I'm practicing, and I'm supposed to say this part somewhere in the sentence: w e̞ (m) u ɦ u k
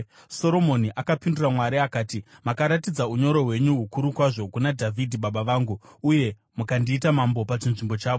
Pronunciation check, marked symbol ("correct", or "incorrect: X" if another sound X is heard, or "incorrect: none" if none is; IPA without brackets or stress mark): incorrect: ɲ